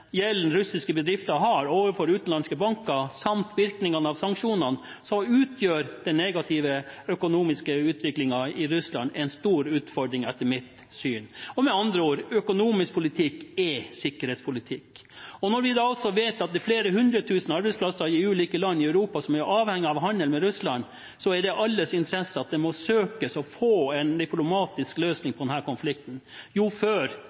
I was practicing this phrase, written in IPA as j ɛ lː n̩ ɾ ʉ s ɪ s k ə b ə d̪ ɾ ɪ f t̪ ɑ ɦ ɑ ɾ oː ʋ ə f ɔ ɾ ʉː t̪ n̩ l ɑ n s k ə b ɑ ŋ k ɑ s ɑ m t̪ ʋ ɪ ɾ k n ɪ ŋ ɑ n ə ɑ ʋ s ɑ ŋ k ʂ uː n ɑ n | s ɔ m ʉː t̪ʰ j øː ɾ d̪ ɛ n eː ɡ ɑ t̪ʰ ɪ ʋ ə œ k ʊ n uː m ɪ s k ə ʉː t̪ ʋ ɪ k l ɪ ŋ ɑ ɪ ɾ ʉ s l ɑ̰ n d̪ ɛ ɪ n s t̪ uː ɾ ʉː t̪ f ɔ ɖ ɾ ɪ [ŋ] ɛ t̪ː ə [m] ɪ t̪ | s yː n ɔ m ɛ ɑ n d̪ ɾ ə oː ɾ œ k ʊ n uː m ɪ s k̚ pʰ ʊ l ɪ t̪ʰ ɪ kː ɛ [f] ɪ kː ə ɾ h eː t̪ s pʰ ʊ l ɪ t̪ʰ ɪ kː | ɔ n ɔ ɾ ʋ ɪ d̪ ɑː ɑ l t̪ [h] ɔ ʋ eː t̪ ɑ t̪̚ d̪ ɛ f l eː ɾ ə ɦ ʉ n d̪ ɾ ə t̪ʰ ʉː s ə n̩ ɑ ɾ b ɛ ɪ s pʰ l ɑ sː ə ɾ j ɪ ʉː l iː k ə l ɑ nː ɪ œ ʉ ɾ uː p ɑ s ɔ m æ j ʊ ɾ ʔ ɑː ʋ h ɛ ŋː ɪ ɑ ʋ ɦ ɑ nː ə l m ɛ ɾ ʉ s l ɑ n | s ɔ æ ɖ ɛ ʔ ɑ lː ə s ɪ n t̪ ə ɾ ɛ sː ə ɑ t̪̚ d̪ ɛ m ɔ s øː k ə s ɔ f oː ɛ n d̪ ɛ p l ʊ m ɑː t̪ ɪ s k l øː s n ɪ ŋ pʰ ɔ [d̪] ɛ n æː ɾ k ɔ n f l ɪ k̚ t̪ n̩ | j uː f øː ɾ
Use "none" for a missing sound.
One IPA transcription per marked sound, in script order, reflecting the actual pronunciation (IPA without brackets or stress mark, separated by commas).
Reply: ŋ, m, s, s, d̪